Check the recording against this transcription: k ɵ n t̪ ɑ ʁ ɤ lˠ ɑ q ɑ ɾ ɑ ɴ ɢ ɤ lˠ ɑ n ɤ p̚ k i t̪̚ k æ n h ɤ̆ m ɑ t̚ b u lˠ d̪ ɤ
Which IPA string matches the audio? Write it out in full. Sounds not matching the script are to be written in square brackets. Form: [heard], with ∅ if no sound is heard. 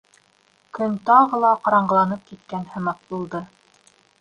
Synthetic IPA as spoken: k ɵ n t̪ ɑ ʁ ɤ lˠ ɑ q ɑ ɾ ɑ ɴ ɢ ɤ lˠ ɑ n ɤ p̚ k i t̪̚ k æ n h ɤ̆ m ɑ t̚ b u lˠ d̪ ɤ